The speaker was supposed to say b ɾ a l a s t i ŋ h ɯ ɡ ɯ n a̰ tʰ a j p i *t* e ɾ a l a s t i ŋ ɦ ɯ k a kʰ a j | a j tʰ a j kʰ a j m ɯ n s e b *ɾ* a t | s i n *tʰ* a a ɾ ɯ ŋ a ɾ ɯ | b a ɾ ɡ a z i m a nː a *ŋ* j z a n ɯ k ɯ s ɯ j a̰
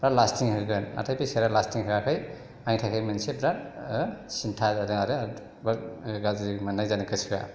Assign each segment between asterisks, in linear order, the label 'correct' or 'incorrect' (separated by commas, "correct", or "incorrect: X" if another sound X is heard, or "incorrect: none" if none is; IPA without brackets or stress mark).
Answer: incorrect: s, correct, correct, incorrect: none